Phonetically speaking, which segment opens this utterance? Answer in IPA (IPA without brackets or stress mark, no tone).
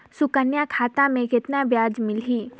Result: s